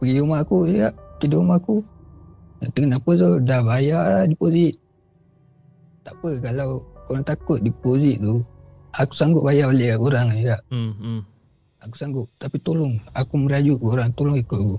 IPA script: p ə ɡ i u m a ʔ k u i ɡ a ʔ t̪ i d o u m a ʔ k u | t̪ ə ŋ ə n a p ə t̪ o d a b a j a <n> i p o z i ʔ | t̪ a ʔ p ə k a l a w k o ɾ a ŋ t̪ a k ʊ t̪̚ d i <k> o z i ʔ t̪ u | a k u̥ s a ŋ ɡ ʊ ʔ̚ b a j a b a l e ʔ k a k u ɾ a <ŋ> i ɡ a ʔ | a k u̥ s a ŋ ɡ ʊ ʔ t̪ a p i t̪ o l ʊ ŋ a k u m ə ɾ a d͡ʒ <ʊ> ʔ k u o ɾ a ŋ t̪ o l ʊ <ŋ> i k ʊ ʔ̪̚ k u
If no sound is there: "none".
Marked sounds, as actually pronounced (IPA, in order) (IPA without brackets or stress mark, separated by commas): d, p, ŋ, u, ŋ